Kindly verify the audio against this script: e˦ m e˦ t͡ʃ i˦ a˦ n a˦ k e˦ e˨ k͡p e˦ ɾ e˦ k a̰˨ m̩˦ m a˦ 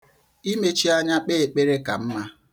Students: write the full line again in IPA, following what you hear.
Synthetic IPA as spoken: i˦ m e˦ t͡ʃ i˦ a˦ ɲ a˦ k͡p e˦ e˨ k͡p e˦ ɾ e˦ k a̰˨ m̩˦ m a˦